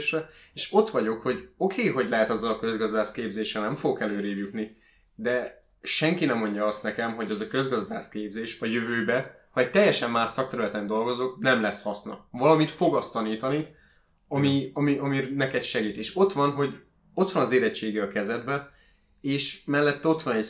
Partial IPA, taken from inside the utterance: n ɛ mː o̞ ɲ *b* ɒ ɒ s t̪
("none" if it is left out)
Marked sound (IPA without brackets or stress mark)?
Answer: ɟ